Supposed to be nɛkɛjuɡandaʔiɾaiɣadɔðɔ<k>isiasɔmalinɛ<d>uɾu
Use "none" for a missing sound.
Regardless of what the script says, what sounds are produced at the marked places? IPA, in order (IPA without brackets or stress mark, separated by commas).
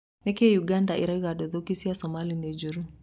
k, d͡ʒ